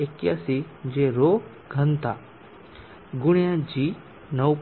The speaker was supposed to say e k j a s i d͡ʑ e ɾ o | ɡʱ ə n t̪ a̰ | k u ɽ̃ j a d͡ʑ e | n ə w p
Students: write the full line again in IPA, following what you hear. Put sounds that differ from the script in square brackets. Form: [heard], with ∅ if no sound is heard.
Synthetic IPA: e k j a s i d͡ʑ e ɾ o | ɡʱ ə n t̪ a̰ | [ɡ] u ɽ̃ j a d͡ʑ [i] | n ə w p

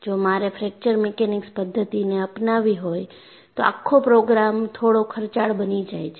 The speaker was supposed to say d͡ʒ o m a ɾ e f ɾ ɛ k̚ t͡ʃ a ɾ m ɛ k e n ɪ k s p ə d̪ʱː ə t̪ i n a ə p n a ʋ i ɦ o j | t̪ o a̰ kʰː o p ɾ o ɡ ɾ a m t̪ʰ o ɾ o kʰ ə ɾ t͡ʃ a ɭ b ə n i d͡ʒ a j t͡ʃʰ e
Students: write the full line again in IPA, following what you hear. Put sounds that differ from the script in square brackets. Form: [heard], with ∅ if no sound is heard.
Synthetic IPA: d͡ʒ o m a ɾ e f ɾ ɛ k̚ t͡ʃ [ə] ɾ m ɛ k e n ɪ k s p ə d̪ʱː ə t̪ i n [e] ə p n a ʋ i ɦ o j | t̪ o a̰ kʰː o p ɾ o ɡ ɾ a m t̪ʰ o [ɽ] o kʰ ə ɾ t͡ʃ a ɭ b ə n i d͡ʒ a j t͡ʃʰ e

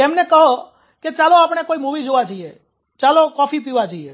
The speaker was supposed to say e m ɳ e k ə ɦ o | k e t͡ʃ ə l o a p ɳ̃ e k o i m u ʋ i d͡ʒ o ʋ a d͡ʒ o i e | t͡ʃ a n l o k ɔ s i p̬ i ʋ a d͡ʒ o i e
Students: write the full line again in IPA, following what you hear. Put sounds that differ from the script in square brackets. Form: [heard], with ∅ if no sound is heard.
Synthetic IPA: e m [n] e k ə ɦ o | k e t͡ʃ [a] l o a p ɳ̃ e k o i m u ʋ i d͡ʒ o ʋ a d͡ʒ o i e | t͡ʃ a [∅] l o k ɔ [f] i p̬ i ʋ a d͡ʒ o i e

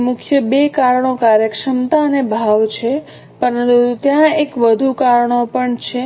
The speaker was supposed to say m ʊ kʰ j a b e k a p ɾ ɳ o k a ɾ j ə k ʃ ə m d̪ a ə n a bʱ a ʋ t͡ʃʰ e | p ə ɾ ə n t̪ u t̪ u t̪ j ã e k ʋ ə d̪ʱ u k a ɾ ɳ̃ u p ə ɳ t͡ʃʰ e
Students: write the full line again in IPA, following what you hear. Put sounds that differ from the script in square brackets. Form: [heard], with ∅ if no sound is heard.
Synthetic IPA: m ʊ kʰ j [ə] b e k a [∅] ɾ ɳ o k a ɾ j ə k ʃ ə m [t̪] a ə n [e] bʱ a ʋ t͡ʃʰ e | p ə ɾ ə n t̪ u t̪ u t̪ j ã e k ʋ ə d̪ʱ u k a ɾ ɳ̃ [o] p ə ɳ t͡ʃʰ e

